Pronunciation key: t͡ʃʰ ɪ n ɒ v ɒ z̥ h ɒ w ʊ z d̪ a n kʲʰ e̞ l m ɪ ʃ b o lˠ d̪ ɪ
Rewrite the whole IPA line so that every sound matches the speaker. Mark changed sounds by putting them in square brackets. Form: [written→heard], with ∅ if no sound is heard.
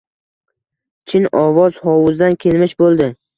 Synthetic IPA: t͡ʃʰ ɪ n ɒ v ɒ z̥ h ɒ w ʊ z d̪ a n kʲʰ e̞ l m ɪ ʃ b o lˠ d̪ ɪ

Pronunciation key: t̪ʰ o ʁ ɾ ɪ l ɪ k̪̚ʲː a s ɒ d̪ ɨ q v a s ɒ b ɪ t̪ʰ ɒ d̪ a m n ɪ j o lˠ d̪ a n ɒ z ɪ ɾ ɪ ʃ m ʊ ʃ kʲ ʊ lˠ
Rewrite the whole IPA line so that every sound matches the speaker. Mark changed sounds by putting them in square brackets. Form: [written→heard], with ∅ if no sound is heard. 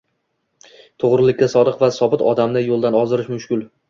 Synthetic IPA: t̪ʰ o ʁ ɾ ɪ l ɪ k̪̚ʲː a s ɒ d̪ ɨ q v a s ɒ b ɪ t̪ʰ ɒ d̪ a m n ɪ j o lˠ d̪ a n ɒ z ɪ ɾ ɪ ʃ m ʊ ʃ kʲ ʊ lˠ

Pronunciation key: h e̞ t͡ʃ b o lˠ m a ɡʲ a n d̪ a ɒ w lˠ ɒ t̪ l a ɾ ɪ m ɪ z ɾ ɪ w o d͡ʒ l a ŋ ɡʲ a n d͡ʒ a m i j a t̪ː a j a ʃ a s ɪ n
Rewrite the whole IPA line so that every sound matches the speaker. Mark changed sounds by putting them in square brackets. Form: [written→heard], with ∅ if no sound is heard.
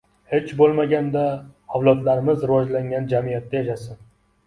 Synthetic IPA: h e̞ t͡ʃ b o lˠ m a ɡʲ a n d̪ a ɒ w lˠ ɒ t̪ l a ɾ ɪ m ɪ z ɾ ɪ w [o→ɒ] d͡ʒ l a ŋ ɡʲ a n d͡ʒ a m i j a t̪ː a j a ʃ a s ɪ n

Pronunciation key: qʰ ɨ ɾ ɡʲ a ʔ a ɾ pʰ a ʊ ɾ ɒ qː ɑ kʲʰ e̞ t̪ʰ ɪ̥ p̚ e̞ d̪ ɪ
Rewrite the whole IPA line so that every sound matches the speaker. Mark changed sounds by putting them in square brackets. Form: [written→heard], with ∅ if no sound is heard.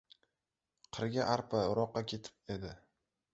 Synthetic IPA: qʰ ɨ ɾ ɡʲ a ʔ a ɾ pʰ a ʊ ɾ ɒ qː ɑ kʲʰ e̞ t̪ʰ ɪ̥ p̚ e̞ d̪ ɪ

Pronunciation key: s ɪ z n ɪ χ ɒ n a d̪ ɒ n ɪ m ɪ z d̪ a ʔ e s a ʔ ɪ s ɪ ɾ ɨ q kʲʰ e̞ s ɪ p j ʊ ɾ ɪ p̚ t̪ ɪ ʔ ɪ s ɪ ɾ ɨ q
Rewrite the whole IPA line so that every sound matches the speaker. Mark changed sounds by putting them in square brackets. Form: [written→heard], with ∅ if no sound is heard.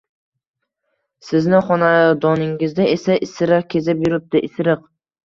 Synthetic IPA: s ɪ z n ɪ χ ɒ n a d̪ ɒ n ɪ [m→ŋ] ɪ z d̪ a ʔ e s a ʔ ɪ s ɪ ɾ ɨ q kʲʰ e̞ [s→z] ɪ p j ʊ ɾ ɪ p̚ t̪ ɪ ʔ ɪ s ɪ ɾ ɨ q

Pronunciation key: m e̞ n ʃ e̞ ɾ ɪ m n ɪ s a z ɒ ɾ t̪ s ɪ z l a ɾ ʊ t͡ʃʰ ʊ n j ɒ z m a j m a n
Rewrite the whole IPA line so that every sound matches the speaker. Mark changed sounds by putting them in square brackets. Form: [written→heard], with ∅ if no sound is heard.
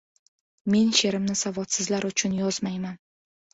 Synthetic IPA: m e̞ n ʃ e̞ ɾ ɪ m n ɪ s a [z→v] ɒ [ɾ→∅] t̪ s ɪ z l a ɾ ʊ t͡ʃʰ ʊ n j ɒ z m a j m a n

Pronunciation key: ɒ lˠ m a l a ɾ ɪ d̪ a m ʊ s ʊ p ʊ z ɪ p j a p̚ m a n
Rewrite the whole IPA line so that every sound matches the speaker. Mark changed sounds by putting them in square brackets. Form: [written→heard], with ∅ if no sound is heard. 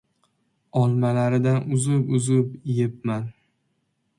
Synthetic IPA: ɒ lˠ m a l a ɾ ɪ d̪ a [m→n] ʊ [s→z] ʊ p ʊ z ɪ p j [a→e] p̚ m a n

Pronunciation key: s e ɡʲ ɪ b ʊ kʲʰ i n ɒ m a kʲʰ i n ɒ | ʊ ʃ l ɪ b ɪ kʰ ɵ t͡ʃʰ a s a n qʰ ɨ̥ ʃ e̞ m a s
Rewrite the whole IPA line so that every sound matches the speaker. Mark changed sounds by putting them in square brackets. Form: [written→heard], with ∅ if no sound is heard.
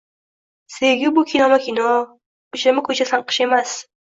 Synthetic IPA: s e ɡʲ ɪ b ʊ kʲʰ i n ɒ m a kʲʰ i n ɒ | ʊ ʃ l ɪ [b→m] ɪ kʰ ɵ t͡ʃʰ a s a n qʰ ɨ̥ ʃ e̞ m a s

